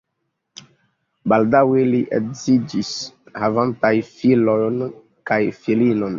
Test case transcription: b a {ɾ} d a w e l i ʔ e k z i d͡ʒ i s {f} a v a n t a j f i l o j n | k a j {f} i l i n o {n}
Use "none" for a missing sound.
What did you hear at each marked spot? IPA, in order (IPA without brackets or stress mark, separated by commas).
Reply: l, h, f, n